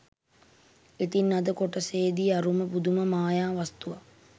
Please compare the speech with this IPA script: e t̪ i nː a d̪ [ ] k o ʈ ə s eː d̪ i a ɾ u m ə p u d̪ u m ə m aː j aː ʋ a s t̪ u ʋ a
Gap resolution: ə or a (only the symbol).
ə